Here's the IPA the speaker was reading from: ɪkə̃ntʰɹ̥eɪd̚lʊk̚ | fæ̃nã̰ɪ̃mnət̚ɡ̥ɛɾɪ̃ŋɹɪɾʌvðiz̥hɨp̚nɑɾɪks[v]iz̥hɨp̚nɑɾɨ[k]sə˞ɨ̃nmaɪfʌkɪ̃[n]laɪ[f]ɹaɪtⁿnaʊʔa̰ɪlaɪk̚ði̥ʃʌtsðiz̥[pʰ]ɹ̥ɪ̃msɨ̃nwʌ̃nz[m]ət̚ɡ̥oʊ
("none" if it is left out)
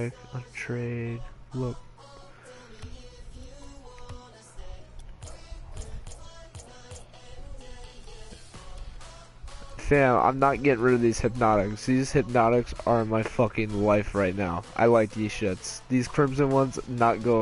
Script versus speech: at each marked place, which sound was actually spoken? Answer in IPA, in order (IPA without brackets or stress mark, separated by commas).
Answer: ð, k, ŋ, f, kʰ, n